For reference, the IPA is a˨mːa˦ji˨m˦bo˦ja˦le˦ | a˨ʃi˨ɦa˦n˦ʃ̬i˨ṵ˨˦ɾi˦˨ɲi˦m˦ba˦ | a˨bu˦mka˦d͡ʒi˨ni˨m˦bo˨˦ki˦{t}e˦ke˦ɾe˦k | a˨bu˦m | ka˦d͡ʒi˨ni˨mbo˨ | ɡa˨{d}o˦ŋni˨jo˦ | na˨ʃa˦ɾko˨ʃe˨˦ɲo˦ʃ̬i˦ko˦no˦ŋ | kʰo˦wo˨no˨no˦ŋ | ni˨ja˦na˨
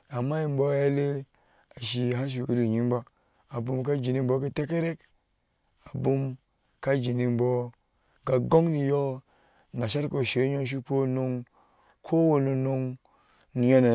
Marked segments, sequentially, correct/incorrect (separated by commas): correct, incorrect